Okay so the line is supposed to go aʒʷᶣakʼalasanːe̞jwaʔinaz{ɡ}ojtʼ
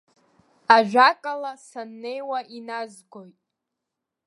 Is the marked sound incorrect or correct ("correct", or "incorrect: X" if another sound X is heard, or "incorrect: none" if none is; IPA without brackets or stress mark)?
correct